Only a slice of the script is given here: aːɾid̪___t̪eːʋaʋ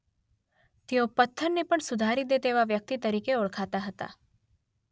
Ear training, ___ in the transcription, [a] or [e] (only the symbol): e